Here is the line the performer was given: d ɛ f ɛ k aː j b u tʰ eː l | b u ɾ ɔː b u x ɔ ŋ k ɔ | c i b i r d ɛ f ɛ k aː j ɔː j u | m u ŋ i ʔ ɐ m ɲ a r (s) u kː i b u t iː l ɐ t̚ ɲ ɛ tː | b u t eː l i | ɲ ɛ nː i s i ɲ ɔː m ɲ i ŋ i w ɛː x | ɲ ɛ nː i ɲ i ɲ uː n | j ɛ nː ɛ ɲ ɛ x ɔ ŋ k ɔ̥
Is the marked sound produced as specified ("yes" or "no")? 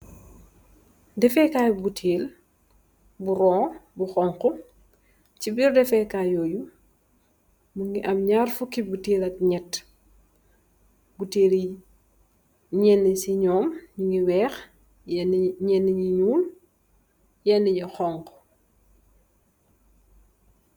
no